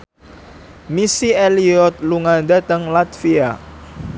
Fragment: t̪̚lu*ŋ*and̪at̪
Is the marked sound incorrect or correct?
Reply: correct